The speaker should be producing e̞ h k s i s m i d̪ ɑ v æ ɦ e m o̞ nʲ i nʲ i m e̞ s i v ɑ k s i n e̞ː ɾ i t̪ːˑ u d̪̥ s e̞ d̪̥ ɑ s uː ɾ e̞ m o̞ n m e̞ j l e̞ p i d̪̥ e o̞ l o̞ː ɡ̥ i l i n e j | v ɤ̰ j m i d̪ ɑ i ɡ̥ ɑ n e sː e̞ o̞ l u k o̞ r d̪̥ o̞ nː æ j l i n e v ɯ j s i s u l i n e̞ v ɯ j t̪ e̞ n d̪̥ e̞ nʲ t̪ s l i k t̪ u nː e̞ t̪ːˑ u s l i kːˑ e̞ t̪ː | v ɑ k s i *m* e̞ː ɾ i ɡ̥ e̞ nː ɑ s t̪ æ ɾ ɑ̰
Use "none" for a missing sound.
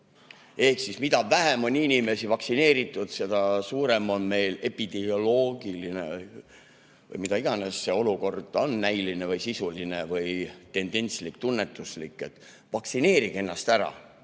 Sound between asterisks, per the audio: n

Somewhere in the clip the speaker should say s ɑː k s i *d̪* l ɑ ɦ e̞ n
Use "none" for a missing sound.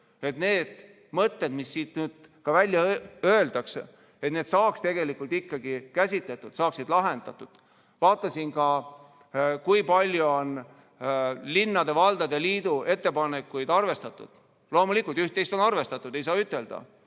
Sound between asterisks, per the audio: d̪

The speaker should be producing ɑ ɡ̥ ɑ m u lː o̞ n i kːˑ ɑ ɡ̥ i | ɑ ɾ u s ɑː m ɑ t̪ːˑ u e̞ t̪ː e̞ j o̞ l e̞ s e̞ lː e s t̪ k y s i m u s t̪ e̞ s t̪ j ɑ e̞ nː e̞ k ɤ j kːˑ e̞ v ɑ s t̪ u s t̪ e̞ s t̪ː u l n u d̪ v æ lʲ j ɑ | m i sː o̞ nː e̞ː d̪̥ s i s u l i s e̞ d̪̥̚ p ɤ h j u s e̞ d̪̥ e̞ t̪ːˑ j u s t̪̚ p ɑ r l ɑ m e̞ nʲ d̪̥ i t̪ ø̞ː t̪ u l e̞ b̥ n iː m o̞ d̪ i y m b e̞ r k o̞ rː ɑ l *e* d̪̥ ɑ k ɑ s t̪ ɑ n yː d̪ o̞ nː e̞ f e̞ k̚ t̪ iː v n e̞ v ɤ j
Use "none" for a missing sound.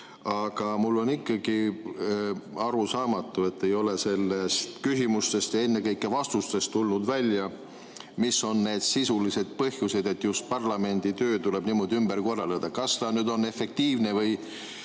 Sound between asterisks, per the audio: e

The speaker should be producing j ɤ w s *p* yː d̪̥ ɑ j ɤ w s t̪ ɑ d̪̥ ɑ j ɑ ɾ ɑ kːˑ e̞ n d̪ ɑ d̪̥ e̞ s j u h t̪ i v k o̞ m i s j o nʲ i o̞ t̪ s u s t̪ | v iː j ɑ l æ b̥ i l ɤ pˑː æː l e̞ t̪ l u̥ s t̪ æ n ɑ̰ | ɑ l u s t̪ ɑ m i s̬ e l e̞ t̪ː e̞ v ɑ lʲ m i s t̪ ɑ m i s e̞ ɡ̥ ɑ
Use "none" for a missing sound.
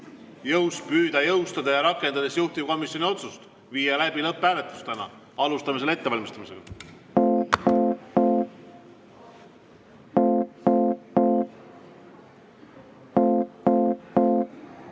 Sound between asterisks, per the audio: p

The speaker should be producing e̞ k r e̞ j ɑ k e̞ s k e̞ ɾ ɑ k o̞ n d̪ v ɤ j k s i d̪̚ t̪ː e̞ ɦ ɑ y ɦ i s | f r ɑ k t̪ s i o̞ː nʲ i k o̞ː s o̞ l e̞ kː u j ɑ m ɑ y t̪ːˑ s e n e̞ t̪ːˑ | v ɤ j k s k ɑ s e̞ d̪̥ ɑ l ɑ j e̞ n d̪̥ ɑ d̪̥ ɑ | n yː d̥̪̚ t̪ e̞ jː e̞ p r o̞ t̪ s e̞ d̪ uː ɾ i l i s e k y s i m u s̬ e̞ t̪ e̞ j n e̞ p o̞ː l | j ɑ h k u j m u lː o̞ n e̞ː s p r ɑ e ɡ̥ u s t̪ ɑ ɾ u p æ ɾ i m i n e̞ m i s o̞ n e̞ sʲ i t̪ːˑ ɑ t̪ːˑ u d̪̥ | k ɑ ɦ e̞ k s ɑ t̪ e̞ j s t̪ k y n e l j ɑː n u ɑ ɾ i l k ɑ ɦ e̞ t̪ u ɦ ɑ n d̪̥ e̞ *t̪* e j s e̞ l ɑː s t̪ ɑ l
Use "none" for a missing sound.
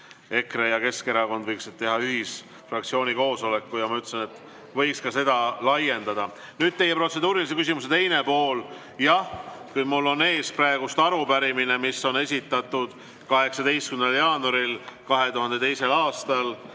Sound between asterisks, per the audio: t̪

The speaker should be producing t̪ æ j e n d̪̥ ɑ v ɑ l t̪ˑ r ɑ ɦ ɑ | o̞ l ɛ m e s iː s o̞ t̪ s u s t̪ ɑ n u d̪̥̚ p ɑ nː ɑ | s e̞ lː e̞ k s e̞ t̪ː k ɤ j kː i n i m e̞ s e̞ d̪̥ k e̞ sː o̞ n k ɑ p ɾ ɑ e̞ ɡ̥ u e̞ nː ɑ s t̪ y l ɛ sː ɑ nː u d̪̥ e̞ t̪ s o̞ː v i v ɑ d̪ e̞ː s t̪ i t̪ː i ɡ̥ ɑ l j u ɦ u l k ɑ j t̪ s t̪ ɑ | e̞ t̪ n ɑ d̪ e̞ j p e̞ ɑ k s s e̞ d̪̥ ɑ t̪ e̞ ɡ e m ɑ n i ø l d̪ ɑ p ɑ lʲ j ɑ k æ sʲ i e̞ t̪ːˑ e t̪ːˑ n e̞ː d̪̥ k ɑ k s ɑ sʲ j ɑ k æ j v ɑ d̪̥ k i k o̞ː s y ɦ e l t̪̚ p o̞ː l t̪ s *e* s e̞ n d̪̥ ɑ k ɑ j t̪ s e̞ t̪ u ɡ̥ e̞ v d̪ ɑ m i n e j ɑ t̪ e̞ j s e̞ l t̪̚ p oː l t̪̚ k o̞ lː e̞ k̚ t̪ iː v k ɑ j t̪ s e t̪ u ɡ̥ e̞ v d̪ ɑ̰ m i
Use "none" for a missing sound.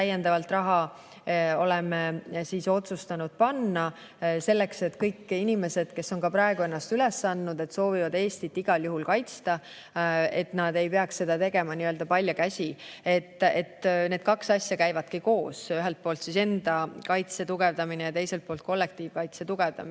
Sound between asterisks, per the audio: i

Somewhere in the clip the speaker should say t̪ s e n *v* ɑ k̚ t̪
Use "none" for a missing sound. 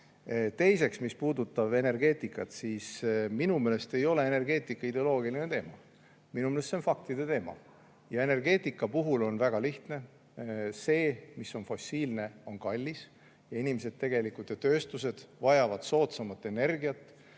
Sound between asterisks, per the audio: f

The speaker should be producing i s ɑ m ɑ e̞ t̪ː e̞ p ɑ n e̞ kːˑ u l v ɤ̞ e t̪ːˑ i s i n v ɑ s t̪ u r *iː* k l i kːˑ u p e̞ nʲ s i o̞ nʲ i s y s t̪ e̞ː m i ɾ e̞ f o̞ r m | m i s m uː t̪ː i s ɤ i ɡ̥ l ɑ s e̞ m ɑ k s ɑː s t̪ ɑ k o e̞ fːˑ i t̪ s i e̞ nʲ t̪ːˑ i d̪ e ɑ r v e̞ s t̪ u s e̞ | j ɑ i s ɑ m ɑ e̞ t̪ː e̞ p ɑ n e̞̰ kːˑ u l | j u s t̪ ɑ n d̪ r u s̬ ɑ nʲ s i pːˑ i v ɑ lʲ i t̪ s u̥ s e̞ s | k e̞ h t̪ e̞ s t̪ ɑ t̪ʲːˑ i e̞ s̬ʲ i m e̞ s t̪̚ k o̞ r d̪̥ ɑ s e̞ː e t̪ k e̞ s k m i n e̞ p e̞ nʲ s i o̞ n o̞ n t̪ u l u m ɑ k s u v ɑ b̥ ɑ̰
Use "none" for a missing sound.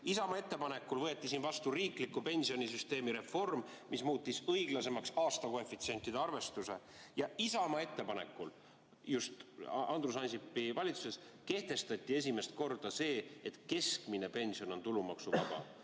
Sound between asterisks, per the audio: iː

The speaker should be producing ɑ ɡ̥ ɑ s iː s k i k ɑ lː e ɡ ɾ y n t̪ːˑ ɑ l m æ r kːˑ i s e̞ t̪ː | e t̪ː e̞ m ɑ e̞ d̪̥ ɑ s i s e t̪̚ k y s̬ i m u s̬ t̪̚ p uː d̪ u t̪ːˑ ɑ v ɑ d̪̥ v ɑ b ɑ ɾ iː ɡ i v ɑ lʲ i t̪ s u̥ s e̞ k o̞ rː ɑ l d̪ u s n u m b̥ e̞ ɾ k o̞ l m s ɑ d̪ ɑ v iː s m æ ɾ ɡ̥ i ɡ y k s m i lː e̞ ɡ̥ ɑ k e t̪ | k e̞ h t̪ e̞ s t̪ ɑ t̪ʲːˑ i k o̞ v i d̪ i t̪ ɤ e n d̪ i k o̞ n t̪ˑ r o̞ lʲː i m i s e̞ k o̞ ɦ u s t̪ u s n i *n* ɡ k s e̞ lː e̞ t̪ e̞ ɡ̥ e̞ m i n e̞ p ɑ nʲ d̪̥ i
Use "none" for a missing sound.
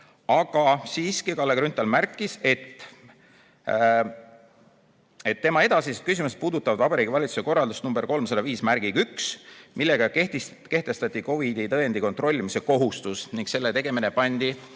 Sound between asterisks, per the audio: ŋ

